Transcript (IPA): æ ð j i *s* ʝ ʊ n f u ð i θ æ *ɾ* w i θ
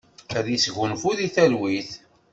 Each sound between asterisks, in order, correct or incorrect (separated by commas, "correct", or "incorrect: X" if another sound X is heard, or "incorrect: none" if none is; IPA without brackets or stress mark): correct, incorrect: l